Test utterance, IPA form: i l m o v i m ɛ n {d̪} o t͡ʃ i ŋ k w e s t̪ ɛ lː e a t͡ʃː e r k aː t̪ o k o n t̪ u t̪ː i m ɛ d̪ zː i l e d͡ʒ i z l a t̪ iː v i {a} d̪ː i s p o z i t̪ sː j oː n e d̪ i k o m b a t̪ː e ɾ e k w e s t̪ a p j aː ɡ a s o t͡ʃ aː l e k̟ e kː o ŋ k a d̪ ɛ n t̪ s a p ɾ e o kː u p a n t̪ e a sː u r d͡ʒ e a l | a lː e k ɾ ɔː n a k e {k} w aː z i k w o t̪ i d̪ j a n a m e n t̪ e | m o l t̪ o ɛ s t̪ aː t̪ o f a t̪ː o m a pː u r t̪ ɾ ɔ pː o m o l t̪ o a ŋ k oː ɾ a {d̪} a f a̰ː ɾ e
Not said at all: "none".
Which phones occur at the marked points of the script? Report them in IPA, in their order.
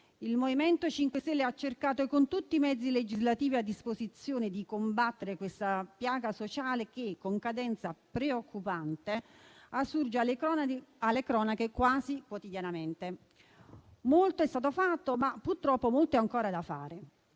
t̪, a, k, d̪

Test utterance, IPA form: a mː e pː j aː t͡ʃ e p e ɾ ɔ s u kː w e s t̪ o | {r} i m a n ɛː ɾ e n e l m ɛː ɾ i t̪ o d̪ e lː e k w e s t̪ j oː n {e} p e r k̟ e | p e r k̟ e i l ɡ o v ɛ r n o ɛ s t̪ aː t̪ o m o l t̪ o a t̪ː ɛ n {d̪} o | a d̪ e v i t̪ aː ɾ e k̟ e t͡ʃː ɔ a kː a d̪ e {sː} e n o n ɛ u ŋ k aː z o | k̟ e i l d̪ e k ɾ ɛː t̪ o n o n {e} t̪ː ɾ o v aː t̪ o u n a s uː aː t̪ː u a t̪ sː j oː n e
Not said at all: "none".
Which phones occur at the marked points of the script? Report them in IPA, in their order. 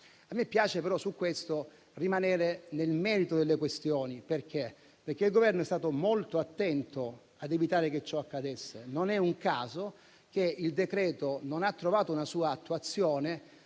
r, i, t̪, sː, a

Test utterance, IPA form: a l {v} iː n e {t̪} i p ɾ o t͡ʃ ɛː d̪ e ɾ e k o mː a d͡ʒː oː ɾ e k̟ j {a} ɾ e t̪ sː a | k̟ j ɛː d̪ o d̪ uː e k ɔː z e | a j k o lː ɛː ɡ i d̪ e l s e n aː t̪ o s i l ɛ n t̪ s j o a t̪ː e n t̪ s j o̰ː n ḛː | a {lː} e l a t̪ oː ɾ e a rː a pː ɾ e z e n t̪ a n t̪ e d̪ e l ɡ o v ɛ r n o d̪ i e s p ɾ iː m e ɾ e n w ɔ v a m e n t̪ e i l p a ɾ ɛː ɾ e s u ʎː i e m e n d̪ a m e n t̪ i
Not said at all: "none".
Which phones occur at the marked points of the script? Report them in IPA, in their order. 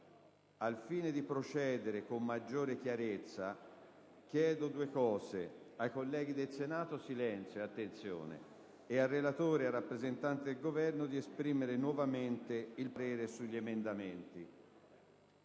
f, d̪, a, rː

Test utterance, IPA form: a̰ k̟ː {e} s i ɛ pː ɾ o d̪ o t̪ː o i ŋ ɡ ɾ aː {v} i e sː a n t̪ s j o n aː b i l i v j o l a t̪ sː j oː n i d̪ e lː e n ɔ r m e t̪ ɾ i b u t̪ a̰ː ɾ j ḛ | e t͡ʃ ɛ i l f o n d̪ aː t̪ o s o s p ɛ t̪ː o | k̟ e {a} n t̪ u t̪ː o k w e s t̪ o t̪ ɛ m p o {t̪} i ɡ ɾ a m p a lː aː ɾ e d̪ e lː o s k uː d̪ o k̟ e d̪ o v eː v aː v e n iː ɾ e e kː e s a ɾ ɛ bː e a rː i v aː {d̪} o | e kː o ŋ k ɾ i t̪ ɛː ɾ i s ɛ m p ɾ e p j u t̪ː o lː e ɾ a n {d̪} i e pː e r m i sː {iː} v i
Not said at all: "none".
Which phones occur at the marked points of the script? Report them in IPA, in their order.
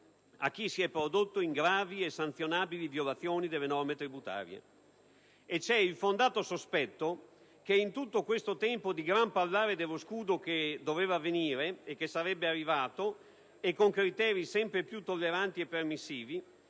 i, v, i, d̪, t̪, t̪, iː

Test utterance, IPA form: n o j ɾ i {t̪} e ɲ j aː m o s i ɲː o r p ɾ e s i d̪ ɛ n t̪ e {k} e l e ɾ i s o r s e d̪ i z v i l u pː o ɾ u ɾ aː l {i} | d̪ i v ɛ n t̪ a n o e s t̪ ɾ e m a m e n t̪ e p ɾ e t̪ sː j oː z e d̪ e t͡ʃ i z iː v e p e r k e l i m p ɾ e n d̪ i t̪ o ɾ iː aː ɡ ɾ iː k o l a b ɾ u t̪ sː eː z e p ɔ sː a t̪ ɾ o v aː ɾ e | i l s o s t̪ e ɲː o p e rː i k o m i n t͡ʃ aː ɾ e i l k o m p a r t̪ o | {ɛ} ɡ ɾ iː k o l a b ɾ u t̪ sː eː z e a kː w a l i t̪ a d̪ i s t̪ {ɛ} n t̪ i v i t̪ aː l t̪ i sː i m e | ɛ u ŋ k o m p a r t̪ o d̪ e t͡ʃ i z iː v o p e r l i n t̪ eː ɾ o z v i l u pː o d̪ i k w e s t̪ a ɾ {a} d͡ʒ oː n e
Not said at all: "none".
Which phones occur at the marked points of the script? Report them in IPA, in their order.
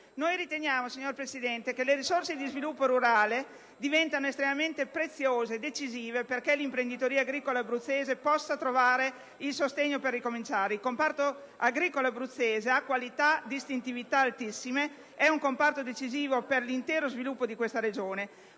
t̪, k, e, a, i, e

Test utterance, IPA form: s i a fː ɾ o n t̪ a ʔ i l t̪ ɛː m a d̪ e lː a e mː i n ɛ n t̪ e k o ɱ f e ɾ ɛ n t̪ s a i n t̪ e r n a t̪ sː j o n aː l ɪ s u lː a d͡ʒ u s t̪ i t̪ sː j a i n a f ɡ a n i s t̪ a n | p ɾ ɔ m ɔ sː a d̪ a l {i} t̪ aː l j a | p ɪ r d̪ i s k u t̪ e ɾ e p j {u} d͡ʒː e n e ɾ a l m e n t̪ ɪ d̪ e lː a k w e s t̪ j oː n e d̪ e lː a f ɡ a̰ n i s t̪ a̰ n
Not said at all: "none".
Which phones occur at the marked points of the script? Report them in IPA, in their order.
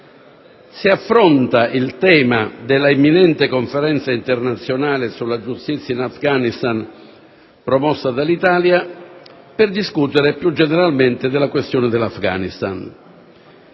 i, u

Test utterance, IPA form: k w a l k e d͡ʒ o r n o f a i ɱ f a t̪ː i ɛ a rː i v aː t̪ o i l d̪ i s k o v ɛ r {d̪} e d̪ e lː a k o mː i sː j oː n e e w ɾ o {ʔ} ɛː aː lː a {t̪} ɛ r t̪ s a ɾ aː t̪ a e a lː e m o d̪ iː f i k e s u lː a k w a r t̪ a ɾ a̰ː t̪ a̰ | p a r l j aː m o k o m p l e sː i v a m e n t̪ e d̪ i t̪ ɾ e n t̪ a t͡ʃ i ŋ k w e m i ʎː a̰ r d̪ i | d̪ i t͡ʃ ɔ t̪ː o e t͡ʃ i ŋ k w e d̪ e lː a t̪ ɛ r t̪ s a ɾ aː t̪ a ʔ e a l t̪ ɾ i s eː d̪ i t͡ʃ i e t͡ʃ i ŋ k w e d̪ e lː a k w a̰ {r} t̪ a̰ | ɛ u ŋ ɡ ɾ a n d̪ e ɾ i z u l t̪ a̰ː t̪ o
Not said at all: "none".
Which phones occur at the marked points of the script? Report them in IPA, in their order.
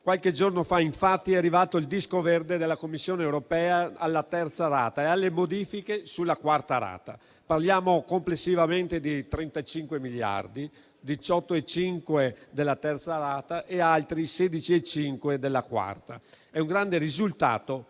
d̪, p, t̪, r

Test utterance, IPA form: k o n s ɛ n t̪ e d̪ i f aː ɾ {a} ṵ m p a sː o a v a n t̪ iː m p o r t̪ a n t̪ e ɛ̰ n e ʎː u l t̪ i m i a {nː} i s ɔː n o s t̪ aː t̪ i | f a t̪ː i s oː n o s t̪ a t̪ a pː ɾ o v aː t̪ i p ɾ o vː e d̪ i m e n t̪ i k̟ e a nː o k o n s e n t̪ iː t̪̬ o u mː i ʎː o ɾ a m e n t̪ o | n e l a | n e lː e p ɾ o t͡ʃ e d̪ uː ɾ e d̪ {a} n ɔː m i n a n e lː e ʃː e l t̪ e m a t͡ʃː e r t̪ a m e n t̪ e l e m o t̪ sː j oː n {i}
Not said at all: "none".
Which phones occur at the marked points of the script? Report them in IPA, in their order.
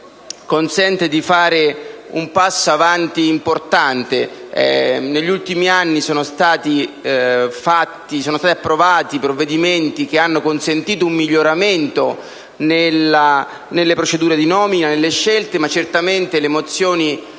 e, nː, i, i

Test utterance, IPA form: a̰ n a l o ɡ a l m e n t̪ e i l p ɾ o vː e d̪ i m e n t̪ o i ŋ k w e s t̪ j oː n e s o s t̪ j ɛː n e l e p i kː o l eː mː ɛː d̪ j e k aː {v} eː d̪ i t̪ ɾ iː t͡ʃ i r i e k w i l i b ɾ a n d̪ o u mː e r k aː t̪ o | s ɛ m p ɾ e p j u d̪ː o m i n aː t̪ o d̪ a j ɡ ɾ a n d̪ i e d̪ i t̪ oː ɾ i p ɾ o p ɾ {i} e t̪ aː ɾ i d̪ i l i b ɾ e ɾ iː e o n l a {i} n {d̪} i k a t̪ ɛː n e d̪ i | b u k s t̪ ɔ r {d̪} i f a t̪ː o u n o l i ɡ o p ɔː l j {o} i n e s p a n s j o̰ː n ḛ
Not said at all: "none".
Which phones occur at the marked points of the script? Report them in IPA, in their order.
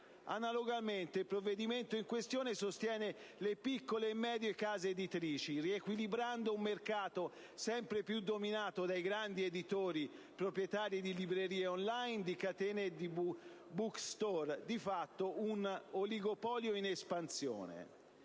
z, j, j, d̪, d̪, o

